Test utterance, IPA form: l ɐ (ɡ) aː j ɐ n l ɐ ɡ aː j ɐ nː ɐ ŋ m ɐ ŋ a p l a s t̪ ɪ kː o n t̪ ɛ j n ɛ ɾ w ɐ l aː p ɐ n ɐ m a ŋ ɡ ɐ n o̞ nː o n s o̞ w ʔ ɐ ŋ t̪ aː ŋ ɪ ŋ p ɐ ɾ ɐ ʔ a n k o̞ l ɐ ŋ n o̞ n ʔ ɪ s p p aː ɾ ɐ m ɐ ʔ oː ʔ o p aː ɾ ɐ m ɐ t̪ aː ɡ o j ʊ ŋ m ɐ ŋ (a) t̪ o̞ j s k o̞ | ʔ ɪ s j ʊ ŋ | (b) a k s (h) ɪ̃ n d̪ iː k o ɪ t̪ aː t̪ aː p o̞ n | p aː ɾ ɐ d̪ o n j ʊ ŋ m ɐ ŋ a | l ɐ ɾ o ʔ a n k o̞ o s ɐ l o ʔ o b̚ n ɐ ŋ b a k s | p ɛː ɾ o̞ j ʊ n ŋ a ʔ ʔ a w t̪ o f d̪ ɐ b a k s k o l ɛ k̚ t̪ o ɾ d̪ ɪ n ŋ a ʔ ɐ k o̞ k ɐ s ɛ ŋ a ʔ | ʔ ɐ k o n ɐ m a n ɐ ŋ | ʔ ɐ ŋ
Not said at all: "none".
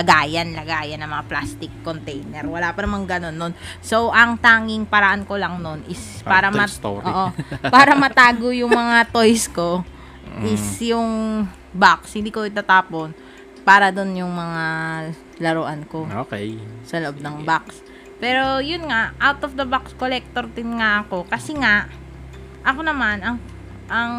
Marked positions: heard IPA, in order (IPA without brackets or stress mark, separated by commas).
ɡ, a, b, h